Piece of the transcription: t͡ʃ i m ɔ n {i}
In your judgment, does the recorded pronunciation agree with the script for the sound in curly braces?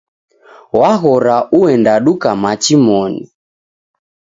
yes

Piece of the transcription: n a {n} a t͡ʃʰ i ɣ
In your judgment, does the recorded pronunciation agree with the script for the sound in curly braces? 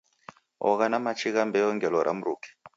no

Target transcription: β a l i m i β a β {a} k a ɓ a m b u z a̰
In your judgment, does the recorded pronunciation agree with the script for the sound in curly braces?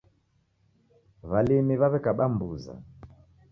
no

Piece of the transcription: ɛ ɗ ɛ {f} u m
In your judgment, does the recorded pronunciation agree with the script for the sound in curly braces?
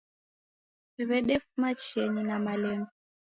yes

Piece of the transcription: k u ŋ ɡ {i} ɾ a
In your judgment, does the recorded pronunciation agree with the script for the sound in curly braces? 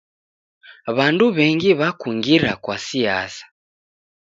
yes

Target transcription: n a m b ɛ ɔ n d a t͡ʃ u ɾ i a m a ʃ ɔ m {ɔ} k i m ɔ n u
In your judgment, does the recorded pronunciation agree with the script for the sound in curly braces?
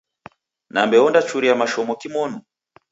yes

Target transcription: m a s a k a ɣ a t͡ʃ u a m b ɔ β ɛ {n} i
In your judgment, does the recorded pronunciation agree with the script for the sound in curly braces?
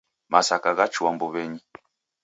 no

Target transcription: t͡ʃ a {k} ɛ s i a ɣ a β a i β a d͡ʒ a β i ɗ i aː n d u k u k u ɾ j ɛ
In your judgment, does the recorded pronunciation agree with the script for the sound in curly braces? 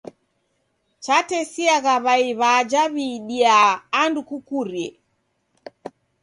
no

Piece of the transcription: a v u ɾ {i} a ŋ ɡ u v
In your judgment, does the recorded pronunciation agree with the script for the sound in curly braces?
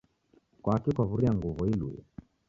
yes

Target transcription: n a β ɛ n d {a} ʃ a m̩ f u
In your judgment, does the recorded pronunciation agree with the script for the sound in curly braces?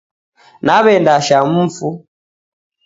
yes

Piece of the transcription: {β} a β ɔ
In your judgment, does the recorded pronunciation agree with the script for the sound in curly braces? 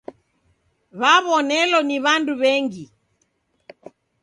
yes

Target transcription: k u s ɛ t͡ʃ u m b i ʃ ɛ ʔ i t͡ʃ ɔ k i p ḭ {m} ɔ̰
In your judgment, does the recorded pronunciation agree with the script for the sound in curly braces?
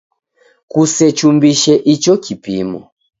yes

